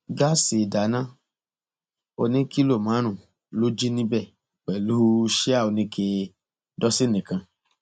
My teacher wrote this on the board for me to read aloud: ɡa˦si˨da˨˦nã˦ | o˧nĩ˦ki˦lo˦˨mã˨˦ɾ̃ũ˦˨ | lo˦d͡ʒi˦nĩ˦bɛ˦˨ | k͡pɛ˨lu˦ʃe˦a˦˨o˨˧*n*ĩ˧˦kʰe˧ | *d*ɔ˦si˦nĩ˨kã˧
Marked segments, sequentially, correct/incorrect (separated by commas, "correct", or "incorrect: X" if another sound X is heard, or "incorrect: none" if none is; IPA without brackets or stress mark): correct, correct